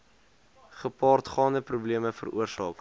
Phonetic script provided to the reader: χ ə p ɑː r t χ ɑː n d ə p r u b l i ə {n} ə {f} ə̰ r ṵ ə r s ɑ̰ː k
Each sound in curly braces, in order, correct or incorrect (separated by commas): incorrect, correct